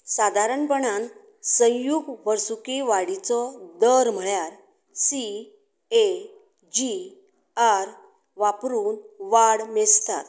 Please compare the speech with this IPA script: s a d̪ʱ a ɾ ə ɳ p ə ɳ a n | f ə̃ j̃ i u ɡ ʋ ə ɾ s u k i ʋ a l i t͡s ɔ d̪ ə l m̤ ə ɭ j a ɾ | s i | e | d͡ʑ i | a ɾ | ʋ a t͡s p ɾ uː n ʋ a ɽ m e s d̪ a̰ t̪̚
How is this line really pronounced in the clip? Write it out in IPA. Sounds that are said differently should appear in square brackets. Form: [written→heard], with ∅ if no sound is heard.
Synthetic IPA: s a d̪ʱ a ɾ ə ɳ p ə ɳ a n | [f→s] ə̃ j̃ [i→j] u ɡ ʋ ə ɾ s u k i ʋ a [l→ɽ] i t͡s ɔ d̪ ə [l→ɾ] m̤ ə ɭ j a ɾ | s i | e | d͡ʑ i | a ɾ | ʋ a [t͡s→∅] p ɾ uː n ʋ a ɽ m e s [d̪→t̪] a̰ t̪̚